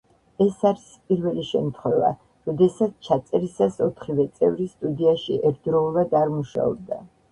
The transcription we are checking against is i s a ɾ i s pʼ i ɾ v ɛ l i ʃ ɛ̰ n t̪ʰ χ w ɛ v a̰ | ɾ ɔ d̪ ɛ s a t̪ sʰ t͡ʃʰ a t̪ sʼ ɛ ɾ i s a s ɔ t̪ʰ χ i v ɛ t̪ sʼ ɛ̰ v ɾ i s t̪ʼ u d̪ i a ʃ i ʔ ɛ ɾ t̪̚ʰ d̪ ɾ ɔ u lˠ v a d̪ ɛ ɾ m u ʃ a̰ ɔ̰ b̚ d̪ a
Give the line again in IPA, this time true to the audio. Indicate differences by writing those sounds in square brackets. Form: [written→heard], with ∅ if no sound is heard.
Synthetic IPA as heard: [i→ɛ] s a ɾ i s pʼ i ɾ v ɛ l i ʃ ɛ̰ [n→m] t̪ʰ χ w ɛ v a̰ | ɾ ɔ d̪ ɛ s a t̪ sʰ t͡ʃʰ a t̪ sʼ ɛ ɾ i s a s ɔ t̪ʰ χ i v ɛ t̪ sʼ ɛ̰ v ɾ i s t̪ʼ u d̪ i a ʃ i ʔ ɛ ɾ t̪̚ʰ d̪ ɾ ɔ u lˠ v a d̪ [ɛ→a] ɾ m u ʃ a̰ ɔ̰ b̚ d̪ a

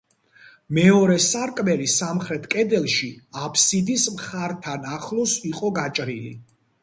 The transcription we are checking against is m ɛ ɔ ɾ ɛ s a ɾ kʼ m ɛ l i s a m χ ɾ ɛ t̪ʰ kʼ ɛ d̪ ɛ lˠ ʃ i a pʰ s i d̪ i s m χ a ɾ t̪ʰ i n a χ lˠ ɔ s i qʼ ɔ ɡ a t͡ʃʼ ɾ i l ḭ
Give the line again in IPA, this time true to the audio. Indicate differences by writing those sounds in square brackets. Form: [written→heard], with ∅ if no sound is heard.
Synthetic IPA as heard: m ɛ ɔ ɾ ɛ s a ɾ kʼ m ɛ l i s a m χ ɾ ɛ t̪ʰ kʼ ɛ d̪ ɛ lˠ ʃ i a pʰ s i d̪ i s m χ a ɾ t̪ʰ [i→a] n a χ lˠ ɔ s i qʼ ɔ ɡ a t͡ʃʼ ɾ i l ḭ

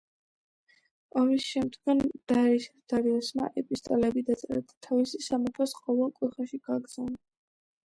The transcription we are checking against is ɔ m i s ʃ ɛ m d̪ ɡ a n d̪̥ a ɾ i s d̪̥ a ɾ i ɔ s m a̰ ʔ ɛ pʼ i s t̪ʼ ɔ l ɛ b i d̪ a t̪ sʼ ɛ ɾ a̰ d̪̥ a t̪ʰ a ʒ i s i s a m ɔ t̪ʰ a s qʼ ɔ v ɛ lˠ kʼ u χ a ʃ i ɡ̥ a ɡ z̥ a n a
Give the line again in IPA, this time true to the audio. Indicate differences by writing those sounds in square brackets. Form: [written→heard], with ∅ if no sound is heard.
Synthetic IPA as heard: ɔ m i s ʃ ɛ m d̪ ɡ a n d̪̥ a ɾ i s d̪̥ a ɾ i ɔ s m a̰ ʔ ɛ pʼ i s t̪ʼ ɔ l ɛ b i d̪ a t̪ sʼ ɛ ɾ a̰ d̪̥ a t̪ʰ a [ʒ→v] i s i s a m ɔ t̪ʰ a s qʼ ɔ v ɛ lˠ kʼ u χ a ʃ i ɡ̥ a ɡ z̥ a n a

